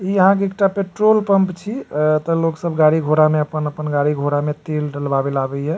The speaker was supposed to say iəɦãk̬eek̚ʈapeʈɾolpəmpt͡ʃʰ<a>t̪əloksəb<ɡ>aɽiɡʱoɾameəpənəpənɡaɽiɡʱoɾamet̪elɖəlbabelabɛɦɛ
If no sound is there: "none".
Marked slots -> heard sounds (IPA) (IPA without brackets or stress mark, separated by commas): i, ɡ